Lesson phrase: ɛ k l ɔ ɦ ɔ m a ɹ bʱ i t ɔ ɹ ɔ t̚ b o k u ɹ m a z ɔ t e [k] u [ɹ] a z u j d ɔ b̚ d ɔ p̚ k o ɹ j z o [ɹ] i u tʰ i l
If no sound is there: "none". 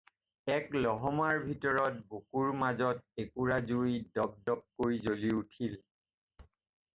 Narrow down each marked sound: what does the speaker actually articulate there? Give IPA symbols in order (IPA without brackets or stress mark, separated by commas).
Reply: k, ɹ, l